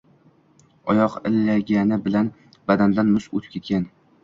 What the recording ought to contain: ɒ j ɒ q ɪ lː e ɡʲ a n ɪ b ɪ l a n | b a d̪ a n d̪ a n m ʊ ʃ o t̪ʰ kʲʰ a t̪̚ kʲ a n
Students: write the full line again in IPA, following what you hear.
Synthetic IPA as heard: ɒ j ɒ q ɪ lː a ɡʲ a n ɪ b ɪ l a n | b a d̪ a n d̪ a n m ʊ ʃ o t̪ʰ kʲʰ e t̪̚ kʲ a n